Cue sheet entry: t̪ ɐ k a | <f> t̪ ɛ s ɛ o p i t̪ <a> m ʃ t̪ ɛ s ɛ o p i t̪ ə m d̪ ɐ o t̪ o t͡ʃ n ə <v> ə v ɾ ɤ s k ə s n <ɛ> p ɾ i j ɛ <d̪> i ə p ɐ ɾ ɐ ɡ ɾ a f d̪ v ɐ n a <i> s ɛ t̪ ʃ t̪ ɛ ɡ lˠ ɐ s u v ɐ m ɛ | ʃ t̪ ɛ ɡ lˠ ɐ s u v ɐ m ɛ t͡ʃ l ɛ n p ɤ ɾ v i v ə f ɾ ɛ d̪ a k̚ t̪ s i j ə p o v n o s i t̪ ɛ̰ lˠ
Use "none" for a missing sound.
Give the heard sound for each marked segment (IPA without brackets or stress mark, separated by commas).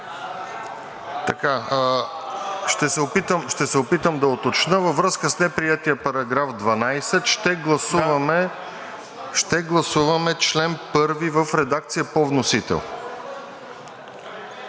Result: ʃ, ə, v, ɛ, t̪, j